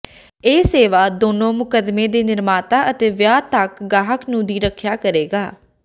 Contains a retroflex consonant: no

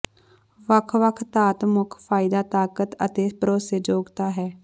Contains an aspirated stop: yes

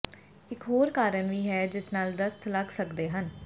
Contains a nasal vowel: no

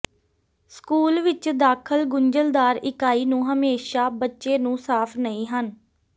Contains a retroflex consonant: no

